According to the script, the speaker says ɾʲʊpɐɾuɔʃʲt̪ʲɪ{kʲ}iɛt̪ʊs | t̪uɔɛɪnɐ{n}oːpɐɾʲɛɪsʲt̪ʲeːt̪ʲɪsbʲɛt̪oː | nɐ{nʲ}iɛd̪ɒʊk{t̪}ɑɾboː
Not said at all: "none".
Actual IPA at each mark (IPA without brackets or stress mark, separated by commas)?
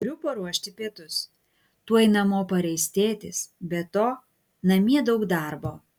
pʲ, m, mʲ, d̪